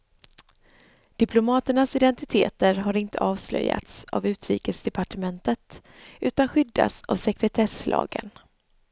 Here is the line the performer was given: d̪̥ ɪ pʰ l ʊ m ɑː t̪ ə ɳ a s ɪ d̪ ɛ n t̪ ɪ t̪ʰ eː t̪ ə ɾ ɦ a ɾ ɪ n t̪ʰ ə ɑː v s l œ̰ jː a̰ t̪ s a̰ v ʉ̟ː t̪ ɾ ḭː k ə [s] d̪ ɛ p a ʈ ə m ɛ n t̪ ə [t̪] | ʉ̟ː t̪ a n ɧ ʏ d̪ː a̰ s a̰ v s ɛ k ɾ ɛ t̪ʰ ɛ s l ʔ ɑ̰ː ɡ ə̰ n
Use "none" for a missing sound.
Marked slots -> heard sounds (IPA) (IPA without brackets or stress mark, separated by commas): s, t̪